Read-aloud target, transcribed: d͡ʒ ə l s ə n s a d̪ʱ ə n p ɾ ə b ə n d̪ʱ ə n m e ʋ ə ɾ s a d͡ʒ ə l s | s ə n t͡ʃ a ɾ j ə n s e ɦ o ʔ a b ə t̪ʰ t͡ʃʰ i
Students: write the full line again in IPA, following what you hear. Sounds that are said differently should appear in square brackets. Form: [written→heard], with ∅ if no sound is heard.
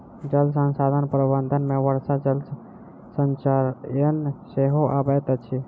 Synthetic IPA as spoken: d͡ʒ ə l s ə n s a d̪ʱ ə n p ɾ ə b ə n d̪ʱ ə n m e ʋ ə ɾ s a d͡ʒ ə l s | s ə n t͡ʃ a ɾ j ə n s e ɦ o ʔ a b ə [t̪ʰ→t̪] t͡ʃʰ i